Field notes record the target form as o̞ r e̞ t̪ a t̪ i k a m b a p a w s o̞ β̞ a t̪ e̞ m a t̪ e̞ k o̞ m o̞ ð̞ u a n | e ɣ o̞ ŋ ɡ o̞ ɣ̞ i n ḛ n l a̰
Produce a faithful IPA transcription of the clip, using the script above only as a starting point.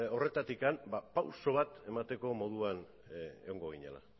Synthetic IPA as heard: o̞ r e̞ t̪ a t̪ i k a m b a p a w s o̞ β̞ a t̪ e̞ m a t̪ e̞ k o̞ m o̞ ð̞ u a n | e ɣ o̞ ŋ ɡ o̞ ɣ̞ i ɲ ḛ l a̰